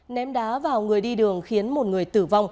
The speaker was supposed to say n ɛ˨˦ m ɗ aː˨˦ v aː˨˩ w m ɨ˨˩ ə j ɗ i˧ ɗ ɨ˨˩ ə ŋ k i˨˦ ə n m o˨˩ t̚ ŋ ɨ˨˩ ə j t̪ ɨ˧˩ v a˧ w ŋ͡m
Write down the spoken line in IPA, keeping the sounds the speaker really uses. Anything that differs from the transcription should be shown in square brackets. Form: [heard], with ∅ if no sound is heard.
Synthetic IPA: n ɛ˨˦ m ɗ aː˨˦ v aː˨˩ w [ŋ] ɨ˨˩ ə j ɗ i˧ ɗ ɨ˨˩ ə ŋ [x] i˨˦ ə n m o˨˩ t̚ ŋ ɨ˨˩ ə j t̪ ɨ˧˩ v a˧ w ŋ͡m